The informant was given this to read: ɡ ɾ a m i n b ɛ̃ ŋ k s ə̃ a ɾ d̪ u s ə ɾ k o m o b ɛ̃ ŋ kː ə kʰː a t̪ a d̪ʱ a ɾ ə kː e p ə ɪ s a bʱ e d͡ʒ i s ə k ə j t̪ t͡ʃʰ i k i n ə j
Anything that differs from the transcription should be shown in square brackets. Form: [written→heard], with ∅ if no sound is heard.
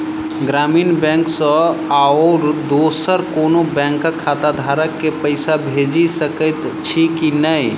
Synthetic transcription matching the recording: ɡ ɾ a m i n b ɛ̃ ŋ k s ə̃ a ɾ d̪ [u→o] s ə ɾ k o [m→n] o b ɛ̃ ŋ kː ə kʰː a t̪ a d̪ʱ a ɾ ə kː e p ə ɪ s a bʱ e d͡ʒ i s ə k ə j t̪ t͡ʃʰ i k i n ə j